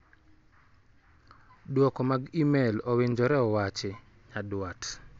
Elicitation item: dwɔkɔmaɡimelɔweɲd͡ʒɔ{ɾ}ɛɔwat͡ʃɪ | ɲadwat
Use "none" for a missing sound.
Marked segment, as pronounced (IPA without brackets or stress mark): ɾ